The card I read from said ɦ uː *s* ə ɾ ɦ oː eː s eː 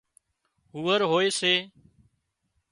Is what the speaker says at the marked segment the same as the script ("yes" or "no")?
no